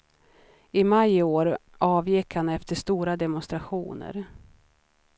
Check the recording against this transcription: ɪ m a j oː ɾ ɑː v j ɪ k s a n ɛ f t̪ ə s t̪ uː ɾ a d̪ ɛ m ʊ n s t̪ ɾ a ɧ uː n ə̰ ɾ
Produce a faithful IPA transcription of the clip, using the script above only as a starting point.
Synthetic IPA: ɪ m a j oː ɾ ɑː v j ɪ k h a n ɛ f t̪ ə ʂ t̪ uː ɾ a d̪ ɛ m ʊ n s t̪ ɾ a ɧ uː n ə̰ ɾ